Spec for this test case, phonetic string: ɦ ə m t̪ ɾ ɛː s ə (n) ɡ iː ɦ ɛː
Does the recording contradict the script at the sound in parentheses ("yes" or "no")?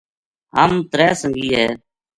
yes